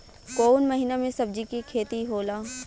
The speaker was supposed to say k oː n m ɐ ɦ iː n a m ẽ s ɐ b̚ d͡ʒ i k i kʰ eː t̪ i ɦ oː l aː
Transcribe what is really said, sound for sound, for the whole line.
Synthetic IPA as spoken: k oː n m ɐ ɦ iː n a m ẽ s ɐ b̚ d͡ʒ i k i kʰ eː t̪ i ɦ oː l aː